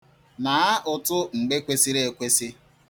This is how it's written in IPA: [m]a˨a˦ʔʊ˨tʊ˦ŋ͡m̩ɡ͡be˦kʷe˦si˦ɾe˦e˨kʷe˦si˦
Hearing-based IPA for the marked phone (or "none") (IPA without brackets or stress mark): n